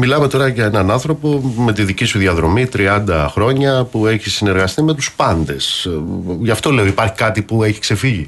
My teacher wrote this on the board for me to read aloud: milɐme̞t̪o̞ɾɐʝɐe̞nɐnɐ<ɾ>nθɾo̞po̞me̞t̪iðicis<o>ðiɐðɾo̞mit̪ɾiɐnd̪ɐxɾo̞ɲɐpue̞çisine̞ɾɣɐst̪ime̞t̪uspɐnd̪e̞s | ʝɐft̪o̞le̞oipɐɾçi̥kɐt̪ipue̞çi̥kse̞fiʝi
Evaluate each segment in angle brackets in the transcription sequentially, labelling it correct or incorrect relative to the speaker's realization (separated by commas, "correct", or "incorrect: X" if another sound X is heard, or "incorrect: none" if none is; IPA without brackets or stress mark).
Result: incorrect: none, incorrect: u